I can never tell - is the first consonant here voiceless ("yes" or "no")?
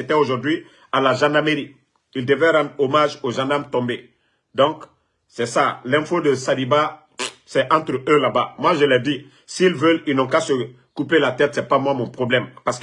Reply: yes